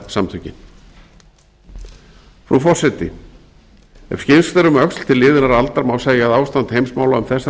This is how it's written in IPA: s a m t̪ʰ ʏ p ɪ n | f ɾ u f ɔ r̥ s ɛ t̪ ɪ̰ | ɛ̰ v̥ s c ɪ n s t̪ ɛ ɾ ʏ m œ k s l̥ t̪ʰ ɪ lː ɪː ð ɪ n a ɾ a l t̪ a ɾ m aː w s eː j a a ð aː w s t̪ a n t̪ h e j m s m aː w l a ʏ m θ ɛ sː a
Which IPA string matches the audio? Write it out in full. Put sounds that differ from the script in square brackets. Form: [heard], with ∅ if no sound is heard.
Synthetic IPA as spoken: s a m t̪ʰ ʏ [c] ɪ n | f ɾ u f ɔ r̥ s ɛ t̪ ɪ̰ | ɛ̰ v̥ s c ɪ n s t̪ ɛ ɾ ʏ m œ k s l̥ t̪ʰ ɪ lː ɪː ð ɪ n a ɾ a l t̪ a ɾ m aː w s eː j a a ð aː w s t̪ a n t̪ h e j m s m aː w l a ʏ m θ ɛ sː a